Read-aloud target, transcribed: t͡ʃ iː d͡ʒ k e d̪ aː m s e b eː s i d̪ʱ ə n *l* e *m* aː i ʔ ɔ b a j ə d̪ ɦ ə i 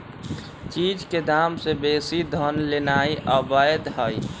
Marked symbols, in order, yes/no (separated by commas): yes, no